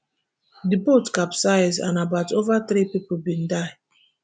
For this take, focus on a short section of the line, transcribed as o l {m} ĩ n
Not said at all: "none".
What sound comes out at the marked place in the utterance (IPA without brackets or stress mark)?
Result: b